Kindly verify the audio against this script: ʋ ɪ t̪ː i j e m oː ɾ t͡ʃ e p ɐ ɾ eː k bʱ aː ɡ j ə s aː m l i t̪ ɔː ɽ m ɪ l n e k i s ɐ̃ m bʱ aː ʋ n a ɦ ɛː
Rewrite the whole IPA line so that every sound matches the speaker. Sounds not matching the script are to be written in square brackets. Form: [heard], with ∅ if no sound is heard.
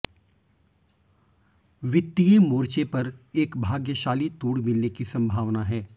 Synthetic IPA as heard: ʋ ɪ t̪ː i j e m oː ɾ t͡ʃ e p ɐ ɾ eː k bʱ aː ɡ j ə [ʃ] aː [∅] l i t̪ [uː] ɽ m ɪ l n e k i s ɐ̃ m bʱ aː ʋ n a ɦ ɛː